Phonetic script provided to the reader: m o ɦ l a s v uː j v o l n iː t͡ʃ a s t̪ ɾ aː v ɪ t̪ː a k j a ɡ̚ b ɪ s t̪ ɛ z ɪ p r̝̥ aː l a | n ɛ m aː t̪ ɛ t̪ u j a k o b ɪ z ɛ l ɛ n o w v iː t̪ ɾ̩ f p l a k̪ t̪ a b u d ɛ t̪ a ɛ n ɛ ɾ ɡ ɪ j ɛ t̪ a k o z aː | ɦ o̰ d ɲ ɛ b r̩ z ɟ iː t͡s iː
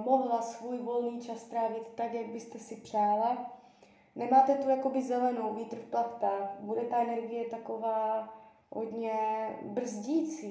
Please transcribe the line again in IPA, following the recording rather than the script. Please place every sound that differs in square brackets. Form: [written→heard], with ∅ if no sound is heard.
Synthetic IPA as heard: m o ɦ l a s v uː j v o l n iː t͡ʃ a s t̪ ɾ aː v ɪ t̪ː a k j a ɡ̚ b ɪ s t̪ ɛ [z→s] ɪ p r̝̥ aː l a | n ɛ m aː t̪ ɛ t̪ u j a k o b ɪ z ɛ l ɛ n o w v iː t̪ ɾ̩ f p l a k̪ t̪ a b u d ɛ t̪ a ɛ n ɛ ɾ ɡ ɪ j ɛ t̪ a k o [z→v] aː | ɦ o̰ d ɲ ɛ b r̩ z ɟ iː t͡s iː